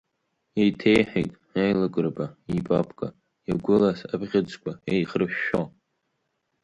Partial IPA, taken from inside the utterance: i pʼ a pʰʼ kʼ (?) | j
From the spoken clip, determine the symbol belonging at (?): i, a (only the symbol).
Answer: a